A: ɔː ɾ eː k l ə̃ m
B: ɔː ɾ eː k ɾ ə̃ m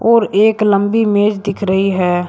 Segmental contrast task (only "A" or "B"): A